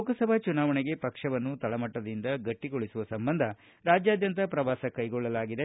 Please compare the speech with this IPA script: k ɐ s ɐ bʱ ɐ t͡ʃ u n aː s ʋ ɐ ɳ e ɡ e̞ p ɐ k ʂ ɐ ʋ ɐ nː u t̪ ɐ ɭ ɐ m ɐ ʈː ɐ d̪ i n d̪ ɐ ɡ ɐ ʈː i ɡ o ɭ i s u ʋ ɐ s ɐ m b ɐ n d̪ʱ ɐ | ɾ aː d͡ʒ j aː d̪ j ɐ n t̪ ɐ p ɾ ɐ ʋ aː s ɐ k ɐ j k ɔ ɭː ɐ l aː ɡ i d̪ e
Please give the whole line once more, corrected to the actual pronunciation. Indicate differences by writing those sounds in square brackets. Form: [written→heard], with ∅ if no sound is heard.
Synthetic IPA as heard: k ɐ s ɐ bʱ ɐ t͡ʃ u n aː [s→∅] ʋ ɐ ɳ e ɡ e̞ p ɐ k ʂ ɐ ʋ ɐ nː u t̪ ɐ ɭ ɐ m ɐ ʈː ɐ d̪ i n d̪ ɐ ɡ ɐ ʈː i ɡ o ɭ i s u ʋ ɐ s ɐ m b ɐ n d̪ʱ ɐ | ɾ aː d͡ʒ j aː d̪ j ɐ n t̪ ɐ p ɾ ɐ ʋ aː s ɐ k ɐ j [k→ɡ] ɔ ɭː ɐ l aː ɡ i d̪ e